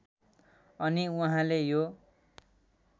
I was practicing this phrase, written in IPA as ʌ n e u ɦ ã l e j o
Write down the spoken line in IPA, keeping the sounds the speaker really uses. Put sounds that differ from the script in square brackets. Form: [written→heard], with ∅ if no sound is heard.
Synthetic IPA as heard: ʌ n [e→i] u ɦ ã l e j o